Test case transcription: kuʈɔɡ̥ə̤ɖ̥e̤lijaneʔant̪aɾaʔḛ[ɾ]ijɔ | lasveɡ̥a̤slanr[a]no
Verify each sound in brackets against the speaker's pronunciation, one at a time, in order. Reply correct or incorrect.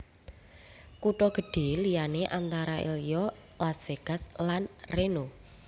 incorrect, incorrect

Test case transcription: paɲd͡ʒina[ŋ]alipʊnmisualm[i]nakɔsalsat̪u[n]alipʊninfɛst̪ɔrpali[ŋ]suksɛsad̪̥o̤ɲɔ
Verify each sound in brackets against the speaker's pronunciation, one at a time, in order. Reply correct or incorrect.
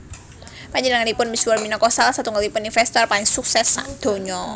correct, correct, incorrect, correct

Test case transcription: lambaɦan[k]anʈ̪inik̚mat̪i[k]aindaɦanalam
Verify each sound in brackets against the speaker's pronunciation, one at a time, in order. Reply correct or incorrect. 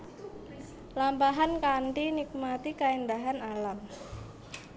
correct, correct

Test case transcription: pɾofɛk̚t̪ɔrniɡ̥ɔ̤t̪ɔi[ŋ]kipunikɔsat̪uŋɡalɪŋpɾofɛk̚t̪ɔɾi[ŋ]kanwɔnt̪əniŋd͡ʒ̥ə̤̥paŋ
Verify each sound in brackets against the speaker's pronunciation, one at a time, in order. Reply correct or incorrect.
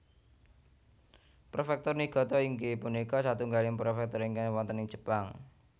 correct, correct

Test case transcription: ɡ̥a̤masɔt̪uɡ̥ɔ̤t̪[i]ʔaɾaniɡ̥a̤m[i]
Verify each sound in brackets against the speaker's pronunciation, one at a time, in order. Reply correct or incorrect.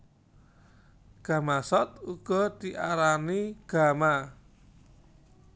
correct, incorrect

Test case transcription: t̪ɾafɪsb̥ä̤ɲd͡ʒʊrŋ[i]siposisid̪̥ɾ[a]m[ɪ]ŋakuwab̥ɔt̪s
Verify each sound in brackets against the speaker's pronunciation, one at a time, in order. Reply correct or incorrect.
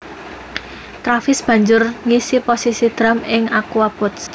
correct, correct, correct

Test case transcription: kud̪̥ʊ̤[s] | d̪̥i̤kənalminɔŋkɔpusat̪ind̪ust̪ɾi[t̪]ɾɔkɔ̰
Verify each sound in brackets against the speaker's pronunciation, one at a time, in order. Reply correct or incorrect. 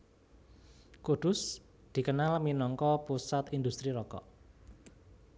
correct, incorrect

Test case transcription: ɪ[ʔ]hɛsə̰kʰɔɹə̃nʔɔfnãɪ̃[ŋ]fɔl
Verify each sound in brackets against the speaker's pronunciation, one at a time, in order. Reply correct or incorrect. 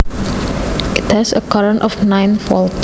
incorrect, incorrect

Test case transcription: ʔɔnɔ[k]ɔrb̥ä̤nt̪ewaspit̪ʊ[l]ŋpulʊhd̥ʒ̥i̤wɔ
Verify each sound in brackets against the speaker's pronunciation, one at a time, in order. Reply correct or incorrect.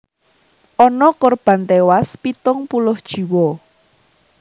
correct, incorrect

